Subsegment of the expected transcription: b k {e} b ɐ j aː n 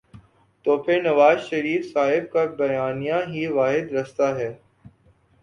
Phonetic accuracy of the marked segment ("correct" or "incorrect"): incorrect